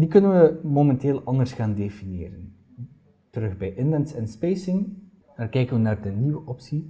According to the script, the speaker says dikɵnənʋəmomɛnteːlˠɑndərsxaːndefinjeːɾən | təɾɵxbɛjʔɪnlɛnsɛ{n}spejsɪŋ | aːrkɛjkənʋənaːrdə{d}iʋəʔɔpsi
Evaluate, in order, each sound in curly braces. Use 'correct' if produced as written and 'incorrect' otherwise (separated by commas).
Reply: correct, incorrect